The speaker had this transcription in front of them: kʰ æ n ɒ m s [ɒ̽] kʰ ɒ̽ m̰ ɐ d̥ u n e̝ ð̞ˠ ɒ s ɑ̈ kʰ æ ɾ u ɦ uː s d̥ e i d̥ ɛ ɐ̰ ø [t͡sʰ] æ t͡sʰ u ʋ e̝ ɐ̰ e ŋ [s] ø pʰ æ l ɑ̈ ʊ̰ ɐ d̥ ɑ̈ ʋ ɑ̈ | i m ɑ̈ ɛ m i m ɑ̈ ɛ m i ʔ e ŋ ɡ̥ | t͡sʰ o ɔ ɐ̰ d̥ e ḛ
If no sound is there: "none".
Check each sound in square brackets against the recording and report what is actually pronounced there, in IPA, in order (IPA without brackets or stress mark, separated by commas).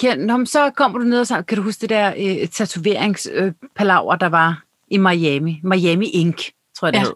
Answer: ɒ̽, t͡sʰ, s